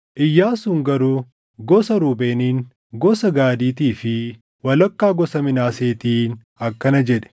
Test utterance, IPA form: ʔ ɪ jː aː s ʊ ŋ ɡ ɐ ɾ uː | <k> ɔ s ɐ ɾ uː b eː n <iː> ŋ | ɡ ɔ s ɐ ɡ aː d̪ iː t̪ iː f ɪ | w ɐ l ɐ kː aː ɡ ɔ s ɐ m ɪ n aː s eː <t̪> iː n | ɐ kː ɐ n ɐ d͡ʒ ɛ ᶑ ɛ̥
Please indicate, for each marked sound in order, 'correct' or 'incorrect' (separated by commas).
incorrect, correct, correct